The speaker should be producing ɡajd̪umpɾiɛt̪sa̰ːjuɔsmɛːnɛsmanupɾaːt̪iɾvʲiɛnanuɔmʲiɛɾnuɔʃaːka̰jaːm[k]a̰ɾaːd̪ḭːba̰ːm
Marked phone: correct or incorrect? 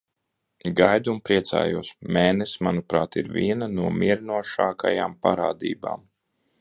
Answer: incorrect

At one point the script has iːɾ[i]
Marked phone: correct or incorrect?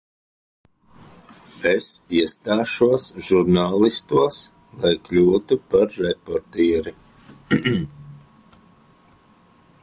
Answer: correct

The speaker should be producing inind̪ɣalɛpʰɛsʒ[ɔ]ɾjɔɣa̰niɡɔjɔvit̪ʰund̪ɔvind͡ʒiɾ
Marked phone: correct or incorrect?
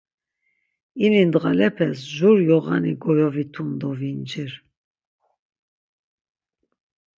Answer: incorrect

